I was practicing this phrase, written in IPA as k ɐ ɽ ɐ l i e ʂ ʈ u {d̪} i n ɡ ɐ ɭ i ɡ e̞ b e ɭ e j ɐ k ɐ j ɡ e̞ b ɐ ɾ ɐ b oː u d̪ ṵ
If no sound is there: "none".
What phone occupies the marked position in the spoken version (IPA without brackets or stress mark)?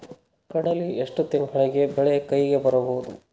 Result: t̪